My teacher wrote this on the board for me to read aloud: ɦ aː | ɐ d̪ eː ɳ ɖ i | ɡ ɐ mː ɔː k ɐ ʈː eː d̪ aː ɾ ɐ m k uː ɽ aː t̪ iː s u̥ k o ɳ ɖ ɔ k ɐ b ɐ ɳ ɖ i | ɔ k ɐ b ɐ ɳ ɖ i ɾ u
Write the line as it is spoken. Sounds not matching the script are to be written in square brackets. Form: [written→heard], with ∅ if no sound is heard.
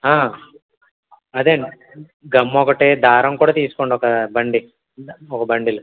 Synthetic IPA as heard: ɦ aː | ɐ d̪ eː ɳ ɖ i | ɡ ɐ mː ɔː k ɐ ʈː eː d̪ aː ɾ ɐ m k uː ɽ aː t̪ iː s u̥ k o ɳ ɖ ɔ k ɐ b ɐ ɳ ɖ i | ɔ k ɐ b ɐ ɳ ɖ i [ɾ→l] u